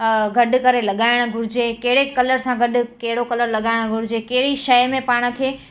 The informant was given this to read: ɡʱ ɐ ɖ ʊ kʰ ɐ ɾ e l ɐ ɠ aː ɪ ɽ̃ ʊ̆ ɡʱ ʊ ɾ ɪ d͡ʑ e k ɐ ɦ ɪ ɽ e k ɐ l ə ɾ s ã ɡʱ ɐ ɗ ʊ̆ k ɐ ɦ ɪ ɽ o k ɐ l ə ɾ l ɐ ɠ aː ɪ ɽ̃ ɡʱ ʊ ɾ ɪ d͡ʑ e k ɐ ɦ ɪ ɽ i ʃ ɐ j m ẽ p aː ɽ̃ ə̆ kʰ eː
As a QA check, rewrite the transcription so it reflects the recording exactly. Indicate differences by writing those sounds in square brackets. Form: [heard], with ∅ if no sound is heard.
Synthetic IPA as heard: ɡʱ ɐ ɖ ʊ [k] ɐ ɾ e l ɐ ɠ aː ɪ ɽ̃ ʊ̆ ɡʱ ʊ ɾ ɪ d͡ʑ e k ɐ ɦ ɪ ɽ e k ɐ l ə ɾ s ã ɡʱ ɐ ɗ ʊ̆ k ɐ ɦ ɪ ɽ o k ɐ l ə ɾ l ɐ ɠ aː ɪ ɽ̃ ɡʱ ʊ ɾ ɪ d͡ʑ e k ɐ ɦ ɪ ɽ i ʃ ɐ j m ẽ p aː ɽ̃ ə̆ kʰ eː